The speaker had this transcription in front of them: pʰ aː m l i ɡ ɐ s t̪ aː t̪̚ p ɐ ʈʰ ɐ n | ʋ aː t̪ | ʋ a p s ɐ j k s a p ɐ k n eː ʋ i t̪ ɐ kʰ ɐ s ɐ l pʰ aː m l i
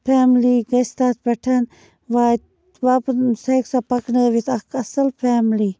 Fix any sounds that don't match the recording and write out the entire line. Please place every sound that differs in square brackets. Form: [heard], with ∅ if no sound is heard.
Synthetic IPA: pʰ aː m l i ɡ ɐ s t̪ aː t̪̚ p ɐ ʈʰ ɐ n | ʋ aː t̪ | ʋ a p s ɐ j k s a p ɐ k n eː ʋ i t̪ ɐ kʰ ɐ s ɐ l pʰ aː m l i